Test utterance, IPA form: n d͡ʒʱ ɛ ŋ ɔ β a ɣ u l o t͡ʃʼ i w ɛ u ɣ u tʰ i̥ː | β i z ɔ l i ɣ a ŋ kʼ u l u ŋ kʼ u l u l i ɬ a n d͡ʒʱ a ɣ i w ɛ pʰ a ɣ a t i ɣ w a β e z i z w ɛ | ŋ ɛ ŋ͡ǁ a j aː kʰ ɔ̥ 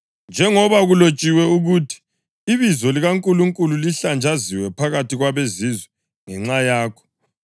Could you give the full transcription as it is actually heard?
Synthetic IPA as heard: n d͡ʒʱ ɛ ŋ ɔ β a ɣ u l o t͡ʃʼ i w ɛ u ɣ u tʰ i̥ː | β i z ɔ l i ɣ a ŋ kʼ u l u ŋ kʼ u l u l i ɬ a n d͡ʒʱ a z i w ɛ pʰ a ɣ a t i ɣ w a β e z i z w ɛ | ŋ ɛ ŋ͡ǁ a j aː kʰ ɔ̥